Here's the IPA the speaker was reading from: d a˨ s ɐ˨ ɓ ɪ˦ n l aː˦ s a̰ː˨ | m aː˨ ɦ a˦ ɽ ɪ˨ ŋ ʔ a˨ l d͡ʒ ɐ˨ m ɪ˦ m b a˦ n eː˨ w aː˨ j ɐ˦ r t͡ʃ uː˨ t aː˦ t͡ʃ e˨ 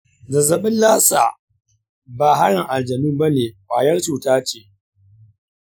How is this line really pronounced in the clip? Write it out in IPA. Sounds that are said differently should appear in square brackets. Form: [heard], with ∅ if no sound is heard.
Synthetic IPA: d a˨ [z] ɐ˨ ɓ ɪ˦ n l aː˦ s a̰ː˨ | [b] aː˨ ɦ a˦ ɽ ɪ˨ ŋ ʔ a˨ l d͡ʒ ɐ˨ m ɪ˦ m b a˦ n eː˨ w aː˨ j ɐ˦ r t͡ʃ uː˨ t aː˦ t͡ʃ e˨

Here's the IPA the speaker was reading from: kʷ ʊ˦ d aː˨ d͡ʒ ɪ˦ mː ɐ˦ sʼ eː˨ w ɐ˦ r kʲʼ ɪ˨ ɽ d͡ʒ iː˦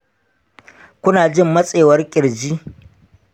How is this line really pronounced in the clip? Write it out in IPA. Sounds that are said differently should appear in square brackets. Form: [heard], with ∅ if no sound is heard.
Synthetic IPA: kʷ ʊ˦ [n] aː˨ d͡ʒ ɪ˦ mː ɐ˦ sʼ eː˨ w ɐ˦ r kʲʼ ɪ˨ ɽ d͡ʒ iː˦

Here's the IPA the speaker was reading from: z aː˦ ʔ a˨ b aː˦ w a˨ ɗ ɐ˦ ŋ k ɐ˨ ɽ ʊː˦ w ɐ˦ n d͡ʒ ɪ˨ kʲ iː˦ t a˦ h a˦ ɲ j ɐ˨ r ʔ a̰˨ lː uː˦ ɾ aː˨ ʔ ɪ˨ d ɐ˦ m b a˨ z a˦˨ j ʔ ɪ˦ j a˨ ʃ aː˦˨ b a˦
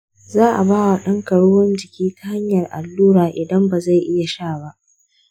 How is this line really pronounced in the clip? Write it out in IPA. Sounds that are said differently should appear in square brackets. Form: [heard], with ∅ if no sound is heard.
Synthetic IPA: z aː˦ ʔ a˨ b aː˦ w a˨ ɗ ɐ˦ ŋ k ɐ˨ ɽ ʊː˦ w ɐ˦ n d͡ʒ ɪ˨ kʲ iː˦ t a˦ h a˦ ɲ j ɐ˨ r ʔ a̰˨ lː uː˦ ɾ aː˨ ʔ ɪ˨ d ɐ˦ m b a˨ z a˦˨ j ʔ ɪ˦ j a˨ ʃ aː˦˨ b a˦

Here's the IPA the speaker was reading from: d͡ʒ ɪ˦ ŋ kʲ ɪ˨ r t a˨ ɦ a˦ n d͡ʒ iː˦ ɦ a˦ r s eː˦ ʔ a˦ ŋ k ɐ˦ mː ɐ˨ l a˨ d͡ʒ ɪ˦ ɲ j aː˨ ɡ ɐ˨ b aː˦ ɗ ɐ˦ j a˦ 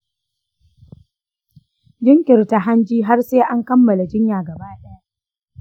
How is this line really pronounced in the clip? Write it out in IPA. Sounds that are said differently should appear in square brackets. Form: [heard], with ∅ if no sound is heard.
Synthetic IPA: d͡ʒ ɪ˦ ŋ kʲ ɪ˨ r t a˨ ɦ a˦ n d͡ʒ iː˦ ɦ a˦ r s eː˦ ʔ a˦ ŋ k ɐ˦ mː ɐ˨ l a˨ d͡ʒ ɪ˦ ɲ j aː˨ ɡ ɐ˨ b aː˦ ɗ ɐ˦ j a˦

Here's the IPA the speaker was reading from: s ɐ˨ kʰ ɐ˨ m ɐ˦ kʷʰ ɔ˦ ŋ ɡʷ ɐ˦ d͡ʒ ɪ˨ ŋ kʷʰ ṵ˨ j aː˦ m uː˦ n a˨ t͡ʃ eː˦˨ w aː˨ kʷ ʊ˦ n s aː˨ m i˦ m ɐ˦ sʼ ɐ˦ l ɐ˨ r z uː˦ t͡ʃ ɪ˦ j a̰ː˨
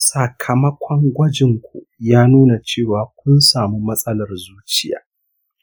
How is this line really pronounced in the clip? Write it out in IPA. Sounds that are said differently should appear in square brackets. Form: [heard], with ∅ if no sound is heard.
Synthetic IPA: s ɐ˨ kʰ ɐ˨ m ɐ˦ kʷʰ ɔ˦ ŋ ɡʷ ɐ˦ d͡ʒ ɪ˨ ŋ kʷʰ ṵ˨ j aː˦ [n] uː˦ n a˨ t͡ʃ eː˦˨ w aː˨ kʷ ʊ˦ n s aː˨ m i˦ m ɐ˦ sʼ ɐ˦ l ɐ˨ r z uː˦ t͡ʃ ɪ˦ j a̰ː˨

